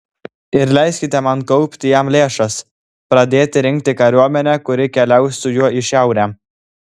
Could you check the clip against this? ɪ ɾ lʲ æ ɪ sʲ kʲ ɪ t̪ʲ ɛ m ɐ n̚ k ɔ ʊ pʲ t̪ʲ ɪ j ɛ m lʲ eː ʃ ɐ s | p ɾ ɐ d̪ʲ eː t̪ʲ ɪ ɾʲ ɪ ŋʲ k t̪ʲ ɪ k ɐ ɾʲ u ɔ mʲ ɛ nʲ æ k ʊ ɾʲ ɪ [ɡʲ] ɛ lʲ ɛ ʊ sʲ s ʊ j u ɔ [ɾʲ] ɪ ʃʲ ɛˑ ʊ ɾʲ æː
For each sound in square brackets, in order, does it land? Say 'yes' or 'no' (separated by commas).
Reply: no, no